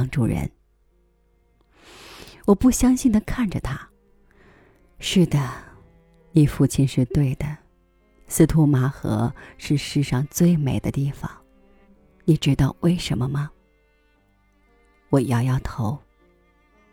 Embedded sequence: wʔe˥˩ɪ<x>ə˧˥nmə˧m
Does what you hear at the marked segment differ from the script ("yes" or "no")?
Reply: yes